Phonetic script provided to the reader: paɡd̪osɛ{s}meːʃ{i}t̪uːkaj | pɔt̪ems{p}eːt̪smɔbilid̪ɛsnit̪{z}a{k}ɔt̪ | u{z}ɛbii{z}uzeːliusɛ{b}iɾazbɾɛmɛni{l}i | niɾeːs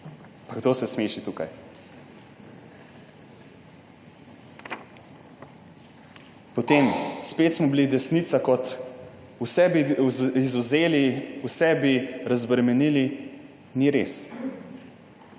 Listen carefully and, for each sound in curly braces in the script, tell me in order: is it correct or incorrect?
correct, correct, correct, incorrect: s, correct, incorrect: s, correct, correct, correct

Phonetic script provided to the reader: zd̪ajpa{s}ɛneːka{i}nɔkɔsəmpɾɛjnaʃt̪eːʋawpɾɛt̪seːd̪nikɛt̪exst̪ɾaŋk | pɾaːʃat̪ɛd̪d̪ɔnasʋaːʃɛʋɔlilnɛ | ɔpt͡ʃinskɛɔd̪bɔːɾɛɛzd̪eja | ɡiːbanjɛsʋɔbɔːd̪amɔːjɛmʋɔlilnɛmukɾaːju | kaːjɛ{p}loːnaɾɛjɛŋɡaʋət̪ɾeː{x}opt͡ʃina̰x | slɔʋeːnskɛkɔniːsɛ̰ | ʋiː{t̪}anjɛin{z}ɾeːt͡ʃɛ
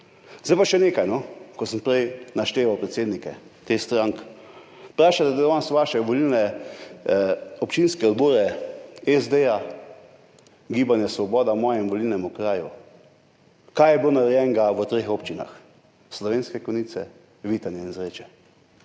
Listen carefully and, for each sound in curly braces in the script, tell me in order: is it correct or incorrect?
incorrect: ʃ, incorrect: j, incorrect: b, correct, correct, correct

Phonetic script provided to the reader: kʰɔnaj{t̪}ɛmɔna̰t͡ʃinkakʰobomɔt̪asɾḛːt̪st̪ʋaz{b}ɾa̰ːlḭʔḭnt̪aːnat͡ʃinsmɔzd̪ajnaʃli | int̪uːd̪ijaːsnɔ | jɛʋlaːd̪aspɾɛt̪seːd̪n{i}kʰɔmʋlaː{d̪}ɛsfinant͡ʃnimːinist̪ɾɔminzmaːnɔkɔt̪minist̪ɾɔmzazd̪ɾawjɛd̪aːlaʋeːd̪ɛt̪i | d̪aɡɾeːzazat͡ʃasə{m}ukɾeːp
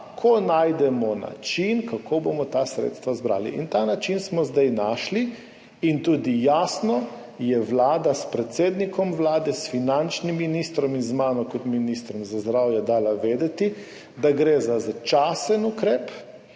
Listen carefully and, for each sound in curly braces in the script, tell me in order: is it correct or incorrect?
incorrect: d̪, correct, correct, correct, incorrect: n

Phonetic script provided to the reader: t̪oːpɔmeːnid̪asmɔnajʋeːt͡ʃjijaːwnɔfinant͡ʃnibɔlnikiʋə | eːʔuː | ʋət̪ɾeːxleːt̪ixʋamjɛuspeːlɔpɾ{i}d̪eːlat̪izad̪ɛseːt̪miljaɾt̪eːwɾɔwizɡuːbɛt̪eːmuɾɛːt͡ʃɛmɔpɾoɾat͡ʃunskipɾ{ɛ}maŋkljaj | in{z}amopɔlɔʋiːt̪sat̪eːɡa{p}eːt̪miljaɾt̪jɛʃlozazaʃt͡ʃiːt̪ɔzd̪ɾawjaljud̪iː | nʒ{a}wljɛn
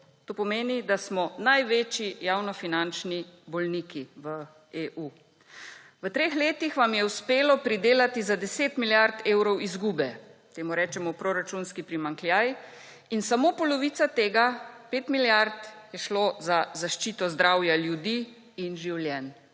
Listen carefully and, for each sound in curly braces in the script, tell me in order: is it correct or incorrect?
correct, incorrect: i, incorrect: s, correct, incorrect: i

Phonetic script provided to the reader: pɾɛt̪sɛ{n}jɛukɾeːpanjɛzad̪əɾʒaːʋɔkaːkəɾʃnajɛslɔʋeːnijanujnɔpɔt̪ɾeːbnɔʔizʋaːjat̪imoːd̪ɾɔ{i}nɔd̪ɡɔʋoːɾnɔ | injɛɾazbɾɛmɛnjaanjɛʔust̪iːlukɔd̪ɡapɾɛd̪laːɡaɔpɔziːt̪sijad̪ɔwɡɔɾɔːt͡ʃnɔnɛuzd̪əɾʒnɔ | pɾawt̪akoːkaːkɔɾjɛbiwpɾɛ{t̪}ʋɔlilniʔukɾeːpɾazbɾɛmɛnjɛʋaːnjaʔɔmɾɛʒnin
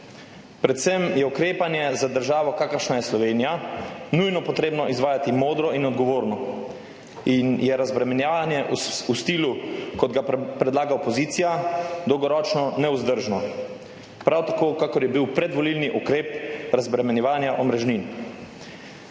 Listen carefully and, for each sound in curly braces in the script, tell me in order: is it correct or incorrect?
incorrect: m, correct, incorrect: d̪

